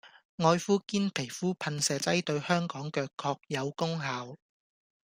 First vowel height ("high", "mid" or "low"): mid